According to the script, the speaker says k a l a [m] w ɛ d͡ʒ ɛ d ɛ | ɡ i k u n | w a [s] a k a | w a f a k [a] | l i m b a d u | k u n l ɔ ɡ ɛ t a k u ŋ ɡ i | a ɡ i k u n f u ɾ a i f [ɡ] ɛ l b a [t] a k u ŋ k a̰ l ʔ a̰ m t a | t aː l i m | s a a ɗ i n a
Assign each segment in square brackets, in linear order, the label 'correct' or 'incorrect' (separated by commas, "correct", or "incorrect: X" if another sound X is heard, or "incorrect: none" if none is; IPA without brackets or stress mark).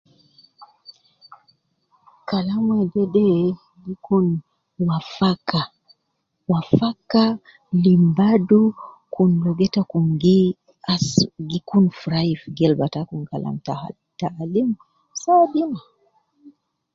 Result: correct, incorrect: f, correct, correct, correct